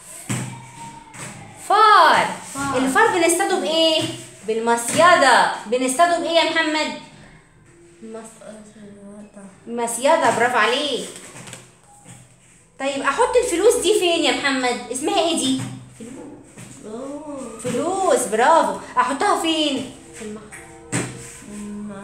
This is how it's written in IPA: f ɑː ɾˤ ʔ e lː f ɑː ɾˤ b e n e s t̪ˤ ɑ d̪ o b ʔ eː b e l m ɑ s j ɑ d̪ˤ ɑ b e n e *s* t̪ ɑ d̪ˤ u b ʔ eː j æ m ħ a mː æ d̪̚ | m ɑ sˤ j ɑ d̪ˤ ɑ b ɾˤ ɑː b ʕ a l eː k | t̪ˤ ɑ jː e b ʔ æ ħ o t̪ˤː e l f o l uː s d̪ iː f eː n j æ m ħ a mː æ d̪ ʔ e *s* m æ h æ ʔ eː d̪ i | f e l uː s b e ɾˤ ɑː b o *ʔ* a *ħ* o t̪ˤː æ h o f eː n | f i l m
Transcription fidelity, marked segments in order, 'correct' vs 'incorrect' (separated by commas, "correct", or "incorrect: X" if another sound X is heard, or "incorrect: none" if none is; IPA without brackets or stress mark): correct, correct, correct, correct